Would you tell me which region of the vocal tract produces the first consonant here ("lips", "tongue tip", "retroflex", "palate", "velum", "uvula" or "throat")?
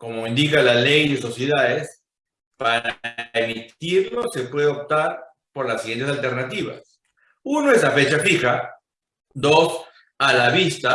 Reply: velum